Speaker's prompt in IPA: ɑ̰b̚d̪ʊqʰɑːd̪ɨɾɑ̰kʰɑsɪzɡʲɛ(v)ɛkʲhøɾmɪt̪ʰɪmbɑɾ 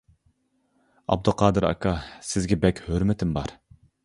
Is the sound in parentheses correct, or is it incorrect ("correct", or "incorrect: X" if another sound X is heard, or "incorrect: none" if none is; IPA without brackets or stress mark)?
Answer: incorrect: b